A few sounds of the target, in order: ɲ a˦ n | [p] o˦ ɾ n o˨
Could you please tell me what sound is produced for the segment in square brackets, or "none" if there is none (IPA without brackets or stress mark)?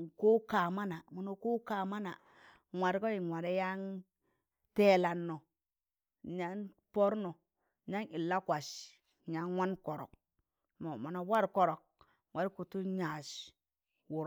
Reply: p